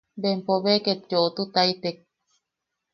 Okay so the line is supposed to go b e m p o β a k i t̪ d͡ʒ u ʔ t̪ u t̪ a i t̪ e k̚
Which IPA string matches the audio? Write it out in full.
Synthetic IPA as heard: b e m p o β e k e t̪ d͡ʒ o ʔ t̪ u t̪ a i t̪ e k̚

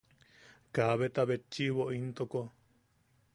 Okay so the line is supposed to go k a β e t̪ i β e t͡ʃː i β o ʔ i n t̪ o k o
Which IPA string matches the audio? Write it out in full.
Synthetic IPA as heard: k a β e t̪ a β e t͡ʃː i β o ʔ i n t̪ o k o

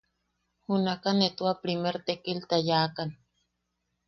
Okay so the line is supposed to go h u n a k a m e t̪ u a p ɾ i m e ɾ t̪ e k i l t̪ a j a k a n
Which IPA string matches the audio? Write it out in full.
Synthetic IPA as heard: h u n a k a n e t̪ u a p ɾ i m e ɾ t̪ e k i l t̪ a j a k a n

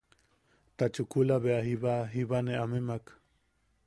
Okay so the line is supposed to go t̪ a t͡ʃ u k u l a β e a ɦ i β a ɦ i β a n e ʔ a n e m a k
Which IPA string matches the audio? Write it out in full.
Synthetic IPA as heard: t̪ a t͡ʃ u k u l a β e a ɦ i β a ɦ i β a n e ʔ a m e m a k

